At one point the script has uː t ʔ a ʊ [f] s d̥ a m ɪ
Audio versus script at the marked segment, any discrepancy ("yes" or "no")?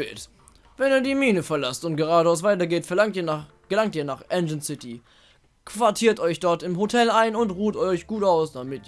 yes